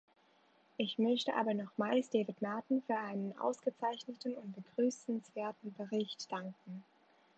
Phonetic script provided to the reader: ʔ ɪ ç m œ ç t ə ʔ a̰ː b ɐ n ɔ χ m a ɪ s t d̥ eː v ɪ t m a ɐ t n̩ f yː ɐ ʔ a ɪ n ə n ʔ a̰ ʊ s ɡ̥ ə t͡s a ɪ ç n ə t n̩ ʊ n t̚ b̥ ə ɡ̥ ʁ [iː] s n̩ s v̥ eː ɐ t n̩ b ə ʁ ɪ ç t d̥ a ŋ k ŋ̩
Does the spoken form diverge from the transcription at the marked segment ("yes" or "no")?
yes